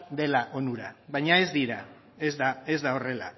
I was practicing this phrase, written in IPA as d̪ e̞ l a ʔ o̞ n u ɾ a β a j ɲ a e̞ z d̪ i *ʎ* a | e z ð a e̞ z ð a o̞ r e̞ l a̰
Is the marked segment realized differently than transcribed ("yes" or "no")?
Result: yes